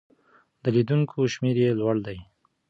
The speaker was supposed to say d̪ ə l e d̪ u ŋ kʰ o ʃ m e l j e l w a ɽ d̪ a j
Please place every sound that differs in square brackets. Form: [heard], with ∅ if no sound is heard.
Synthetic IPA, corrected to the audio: d̪ ə l [i] d̪ u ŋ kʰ o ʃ m e [ɾ] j e l w a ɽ d̪ a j